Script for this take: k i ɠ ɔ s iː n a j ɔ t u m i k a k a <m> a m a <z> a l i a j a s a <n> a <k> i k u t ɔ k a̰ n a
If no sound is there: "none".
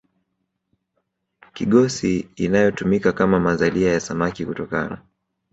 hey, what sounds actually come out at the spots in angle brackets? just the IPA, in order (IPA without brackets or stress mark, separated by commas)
m, z, m, k